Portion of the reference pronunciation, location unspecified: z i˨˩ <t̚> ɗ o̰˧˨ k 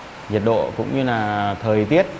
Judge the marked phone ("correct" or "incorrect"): correct